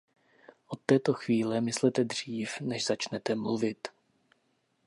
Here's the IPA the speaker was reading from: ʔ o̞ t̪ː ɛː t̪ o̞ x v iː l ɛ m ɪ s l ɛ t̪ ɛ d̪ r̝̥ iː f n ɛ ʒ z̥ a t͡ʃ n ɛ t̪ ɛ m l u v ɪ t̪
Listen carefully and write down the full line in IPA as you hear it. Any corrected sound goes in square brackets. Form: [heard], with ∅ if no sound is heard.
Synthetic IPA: ʔ o̞ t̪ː ɛː t̪ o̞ x v iː l ɛ m ɪ s l ɛ t̪ ɛ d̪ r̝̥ iː f n ɛ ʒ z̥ a t͡ʃ n ɛ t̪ ɛ m l u v ɪ t̪